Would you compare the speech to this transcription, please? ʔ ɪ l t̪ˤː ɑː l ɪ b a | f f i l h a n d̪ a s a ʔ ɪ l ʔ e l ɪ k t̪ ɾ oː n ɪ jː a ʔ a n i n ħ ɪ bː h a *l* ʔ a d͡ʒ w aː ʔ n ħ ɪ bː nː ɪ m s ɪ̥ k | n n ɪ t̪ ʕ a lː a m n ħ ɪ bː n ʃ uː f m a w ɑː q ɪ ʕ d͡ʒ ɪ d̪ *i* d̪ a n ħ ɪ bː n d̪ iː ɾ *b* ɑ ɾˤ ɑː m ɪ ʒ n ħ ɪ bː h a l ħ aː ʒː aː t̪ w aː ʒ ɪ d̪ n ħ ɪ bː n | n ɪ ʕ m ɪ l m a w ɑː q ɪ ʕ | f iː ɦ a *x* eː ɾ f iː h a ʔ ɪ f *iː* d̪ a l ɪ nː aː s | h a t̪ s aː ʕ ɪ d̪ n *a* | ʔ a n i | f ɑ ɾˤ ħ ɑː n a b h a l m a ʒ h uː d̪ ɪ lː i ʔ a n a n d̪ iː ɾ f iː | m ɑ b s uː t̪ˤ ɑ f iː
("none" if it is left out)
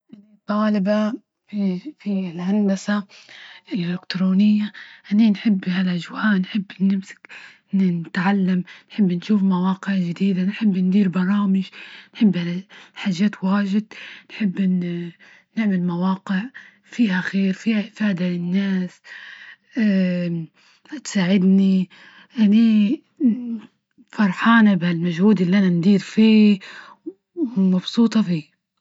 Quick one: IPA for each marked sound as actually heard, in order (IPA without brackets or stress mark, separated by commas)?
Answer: l, iː, b, x, aː, i